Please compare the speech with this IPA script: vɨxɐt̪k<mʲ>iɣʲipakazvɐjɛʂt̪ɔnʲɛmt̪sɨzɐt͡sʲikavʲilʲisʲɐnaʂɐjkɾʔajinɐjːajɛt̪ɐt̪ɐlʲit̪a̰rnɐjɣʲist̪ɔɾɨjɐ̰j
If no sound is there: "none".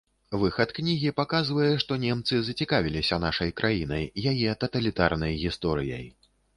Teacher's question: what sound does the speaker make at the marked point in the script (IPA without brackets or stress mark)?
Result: nʲ